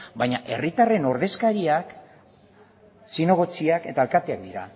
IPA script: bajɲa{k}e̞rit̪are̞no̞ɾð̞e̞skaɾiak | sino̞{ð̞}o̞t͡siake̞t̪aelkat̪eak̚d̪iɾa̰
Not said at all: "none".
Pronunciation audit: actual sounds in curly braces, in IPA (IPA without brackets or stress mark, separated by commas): ʔ, ɣ̞